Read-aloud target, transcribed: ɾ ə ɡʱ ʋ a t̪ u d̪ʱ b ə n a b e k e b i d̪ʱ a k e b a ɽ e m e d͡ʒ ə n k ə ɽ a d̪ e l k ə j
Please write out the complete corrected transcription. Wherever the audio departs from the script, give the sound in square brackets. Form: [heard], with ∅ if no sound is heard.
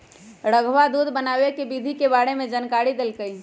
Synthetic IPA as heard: ɾ ə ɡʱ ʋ a [d̪] u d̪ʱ b ə n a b e k e b i d̪ʱ [i] k e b a ɽ e m e d͡ʒ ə n k [a] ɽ [i] d̪ e l k ə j